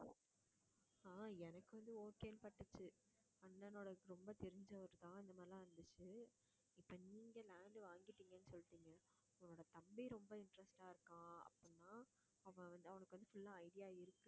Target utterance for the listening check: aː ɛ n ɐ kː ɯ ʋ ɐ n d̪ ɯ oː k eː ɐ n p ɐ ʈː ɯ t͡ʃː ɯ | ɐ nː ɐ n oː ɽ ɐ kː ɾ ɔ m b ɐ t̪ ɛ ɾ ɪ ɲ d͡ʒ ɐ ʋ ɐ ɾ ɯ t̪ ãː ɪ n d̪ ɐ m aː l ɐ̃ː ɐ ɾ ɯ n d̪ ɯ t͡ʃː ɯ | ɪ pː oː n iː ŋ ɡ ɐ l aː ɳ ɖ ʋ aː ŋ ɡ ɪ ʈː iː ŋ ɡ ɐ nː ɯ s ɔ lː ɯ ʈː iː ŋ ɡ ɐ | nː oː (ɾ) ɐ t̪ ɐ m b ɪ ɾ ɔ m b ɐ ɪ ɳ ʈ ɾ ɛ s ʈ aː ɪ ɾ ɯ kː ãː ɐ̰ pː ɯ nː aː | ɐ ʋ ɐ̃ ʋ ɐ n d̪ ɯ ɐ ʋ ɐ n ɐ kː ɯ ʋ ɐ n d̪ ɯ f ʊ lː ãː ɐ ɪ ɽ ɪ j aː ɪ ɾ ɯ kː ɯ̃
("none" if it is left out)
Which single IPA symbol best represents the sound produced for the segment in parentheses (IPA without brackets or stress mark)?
ɽ